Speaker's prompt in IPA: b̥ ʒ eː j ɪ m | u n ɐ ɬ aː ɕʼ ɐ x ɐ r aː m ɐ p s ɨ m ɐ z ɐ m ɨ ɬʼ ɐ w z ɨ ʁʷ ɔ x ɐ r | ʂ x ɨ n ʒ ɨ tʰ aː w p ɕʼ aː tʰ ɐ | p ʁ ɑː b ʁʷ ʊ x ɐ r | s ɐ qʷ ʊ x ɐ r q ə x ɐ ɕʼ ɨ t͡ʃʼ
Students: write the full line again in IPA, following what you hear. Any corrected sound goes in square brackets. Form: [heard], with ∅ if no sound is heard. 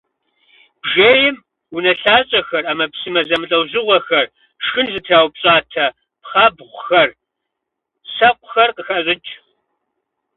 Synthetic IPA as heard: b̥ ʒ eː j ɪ m | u n ɐ ɬ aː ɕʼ ɐ x ɐ r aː m ɐ p s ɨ m ɐ z ɐ m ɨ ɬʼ ɐ w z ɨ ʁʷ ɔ x ɐ r | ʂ x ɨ n [z] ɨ tʰ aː w p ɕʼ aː tʰ ɐ | p [χ] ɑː b ʁʷ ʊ x ɐ r | s ɐ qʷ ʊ x ɐ r q ə x ɐ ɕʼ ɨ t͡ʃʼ